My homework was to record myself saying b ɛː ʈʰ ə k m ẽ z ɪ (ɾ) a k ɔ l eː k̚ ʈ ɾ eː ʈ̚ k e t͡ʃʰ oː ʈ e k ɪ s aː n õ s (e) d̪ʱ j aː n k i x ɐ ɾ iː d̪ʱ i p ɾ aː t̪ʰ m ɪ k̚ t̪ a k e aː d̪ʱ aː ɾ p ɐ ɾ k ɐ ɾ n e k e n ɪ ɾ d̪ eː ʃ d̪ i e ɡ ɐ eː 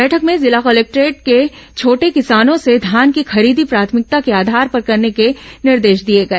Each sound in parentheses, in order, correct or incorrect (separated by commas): incorrect, correct